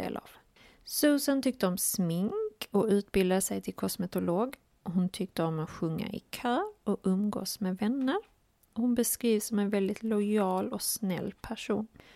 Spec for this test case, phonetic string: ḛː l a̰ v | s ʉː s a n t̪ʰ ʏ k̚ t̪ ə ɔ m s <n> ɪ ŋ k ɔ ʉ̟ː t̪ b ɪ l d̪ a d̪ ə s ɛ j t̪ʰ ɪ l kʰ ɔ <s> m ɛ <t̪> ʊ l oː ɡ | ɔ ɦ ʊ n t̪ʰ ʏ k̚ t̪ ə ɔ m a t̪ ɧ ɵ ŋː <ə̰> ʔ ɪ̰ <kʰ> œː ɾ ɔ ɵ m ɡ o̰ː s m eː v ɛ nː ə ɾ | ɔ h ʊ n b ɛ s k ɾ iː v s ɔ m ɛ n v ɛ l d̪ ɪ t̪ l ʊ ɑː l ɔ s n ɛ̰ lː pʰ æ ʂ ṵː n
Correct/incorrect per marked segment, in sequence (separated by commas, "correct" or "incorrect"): incorrect, correct, correct, incorrect, correct